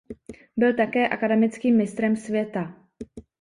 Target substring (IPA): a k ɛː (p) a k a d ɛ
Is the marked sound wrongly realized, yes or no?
yes